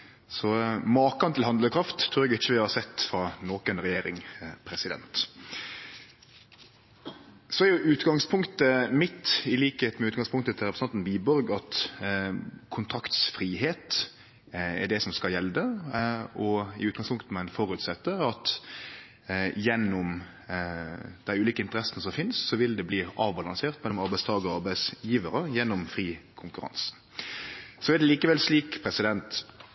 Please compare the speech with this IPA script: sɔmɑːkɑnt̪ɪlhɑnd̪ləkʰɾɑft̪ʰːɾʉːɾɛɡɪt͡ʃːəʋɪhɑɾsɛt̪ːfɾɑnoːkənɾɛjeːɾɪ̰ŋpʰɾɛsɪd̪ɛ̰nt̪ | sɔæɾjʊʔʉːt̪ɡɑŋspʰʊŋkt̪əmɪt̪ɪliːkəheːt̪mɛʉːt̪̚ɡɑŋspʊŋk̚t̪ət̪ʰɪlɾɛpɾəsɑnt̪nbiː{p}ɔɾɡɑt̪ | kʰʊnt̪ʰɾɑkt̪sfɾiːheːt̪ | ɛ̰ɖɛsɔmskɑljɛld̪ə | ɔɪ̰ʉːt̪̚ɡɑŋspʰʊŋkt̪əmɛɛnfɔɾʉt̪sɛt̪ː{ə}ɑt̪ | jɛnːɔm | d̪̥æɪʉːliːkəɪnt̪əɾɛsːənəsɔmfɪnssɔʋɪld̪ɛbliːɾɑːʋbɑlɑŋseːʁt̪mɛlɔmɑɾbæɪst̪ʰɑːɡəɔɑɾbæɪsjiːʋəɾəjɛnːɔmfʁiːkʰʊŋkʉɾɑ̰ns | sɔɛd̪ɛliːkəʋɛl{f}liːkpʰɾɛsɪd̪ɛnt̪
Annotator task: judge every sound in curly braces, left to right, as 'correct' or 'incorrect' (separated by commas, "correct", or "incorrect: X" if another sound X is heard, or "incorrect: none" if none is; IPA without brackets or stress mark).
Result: incorrect: b, correct, incorrect: s